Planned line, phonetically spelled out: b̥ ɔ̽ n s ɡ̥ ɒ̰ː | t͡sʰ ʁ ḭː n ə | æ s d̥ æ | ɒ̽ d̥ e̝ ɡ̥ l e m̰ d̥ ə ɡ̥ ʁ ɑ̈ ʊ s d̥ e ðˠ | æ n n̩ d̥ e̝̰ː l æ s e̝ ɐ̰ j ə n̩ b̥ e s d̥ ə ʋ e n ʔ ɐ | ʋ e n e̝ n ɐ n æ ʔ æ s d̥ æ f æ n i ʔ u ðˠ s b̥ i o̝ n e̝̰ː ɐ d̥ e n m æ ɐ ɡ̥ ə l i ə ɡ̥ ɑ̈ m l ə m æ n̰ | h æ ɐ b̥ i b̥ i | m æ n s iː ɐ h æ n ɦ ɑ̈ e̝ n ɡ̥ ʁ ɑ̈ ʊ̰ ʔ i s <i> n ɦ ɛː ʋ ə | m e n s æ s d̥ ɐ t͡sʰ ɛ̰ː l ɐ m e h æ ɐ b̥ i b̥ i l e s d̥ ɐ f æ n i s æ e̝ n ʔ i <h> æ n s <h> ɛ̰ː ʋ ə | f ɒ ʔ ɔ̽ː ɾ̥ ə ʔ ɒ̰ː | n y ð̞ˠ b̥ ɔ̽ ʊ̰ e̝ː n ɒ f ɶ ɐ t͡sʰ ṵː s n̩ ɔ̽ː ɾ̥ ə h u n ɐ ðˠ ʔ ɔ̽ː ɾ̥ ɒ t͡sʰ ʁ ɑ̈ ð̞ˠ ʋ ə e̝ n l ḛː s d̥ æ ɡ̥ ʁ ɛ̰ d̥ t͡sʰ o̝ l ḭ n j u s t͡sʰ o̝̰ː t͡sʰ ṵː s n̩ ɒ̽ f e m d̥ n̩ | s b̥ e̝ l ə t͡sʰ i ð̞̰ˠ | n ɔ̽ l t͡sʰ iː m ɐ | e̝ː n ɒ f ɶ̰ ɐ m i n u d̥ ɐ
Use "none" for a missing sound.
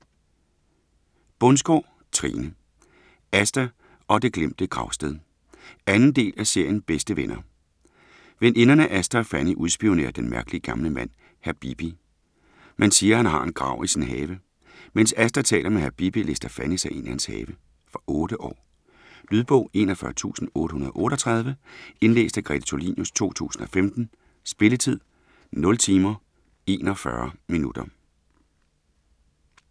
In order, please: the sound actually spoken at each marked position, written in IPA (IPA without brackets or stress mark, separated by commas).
i, h, h